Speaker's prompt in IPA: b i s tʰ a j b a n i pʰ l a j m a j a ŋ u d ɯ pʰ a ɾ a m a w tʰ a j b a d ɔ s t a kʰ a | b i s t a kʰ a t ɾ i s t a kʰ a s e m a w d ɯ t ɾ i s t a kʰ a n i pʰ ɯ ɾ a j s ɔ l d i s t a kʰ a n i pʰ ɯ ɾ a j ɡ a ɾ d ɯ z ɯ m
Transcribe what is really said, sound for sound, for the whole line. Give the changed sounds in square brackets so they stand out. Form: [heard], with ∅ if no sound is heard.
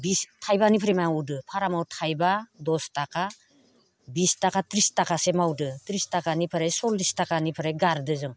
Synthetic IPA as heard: b i s tʰ a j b a n i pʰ [ɾ] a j m a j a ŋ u d ɯ pʰ a ɾ a m a w tʰ a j b a d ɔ s t a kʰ a | b i s t a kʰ a t ɾ i s t a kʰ a s e m a w d ɯ t ɾ i s t a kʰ a n i pʰ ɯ ɾ a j s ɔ l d i s t a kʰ a n i pʰ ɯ ɾ a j ɡ a ɾ d ɯ z ɯ [ŋ]